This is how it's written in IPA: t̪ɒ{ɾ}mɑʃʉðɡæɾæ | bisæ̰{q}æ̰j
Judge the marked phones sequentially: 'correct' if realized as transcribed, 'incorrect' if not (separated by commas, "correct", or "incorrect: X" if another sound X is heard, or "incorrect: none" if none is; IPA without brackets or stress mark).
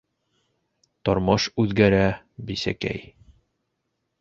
correct, incorrect: k